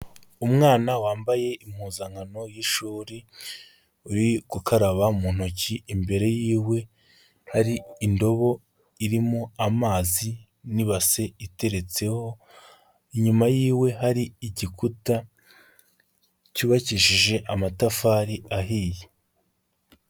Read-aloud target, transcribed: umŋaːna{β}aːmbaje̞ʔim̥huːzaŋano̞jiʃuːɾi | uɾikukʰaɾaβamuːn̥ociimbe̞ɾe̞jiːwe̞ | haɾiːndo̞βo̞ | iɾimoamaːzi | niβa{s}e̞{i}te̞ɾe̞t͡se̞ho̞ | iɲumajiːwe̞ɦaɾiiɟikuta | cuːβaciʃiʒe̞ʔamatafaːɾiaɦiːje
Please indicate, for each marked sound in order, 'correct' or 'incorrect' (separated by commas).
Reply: incorrect, correct, correct